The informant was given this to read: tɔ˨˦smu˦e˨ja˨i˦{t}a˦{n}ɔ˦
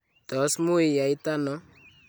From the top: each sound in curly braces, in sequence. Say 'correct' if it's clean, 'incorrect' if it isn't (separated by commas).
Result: correct, correct